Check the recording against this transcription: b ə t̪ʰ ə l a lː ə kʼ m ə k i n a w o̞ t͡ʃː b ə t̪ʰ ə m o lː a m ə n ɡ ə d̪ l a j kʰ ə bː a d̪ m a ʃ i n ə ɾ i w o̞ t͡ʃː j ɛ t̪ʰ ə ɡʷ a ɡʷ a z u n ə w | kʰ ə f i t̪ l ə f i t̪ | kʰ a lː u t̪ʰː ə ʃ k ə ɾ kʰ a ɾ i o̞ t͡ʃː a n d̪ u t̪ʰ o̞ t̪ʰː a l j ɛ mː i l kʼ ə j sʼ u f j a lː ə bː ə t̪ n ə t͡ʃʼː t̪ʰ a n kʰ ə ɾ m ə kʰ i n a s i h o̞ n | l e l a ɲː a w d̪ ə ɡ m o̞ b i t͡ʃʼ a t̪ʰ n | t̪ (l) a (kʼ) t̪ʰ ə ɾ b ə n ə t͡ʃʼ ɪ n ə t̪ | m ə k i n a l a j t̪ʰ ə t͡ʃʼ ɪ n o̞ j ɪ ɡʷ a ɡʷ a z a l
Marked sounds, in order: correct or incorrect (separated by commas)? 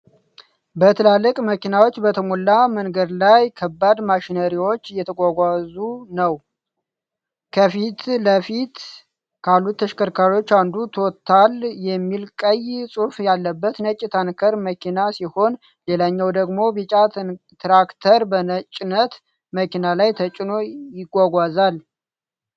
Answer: incorrect, incorrect